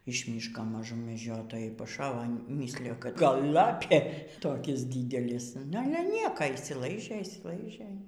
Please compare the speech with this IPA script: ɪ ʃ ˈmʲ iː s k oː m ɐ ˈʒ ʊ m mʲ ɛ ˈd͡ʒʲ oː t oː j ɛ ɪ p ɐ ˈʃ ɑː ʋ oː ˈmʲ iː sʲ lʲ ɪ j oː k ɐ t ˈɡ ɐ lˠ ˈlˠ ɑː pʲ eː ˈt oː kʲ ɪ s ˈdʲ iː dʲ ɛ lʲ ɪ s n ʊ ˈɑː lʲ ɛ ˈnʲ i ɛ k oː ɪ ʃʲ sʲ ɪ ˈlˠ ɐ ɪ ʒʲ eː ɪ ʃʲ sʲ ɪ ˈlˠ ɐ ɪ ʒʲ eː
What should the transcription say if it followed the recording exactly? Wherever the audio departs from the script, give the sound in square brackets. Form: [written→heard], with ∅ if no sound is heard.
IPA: ɪ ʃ ˈmʲ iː [s→ʃ] k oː m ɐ ˈʒ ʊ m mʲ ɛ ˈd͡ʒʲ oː t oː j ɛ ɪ p ɐ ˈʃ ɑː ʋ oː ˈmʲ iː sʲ lʲ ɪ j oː k ɐ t ˈɡ ɐ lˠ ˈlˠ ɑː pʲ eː ˈt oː kʲ ɪ s ˈdʲ iː dʲ ɛ lʲ ɪ s n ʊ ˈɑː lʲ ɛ ˈnʲ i ɛ k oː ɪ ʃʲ sʲ ɪ ˈlˠ ɐ ɪ ʒʲ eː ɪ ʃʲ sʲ ɪ ˈlˠ ɐ ɪ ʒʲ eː